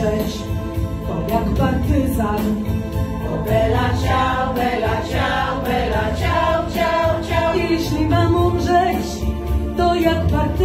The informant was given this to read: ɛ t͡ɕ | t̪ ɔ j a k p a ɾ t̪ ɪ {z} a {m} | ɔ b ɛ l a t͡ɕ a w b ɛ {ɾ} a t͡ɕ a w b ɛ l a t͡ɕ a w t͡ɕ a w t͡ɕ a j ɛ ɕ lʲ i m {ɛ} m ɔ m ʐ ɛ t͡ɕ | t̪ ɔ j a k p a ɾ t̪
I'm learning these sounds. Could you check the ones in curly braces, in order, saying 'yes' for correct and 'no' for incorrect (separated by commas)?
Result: yes, no, no, no